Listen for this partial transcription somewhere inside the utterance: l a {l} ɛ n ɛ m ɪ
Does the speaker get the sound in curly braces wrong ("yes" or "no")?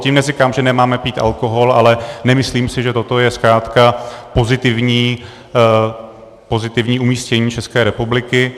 no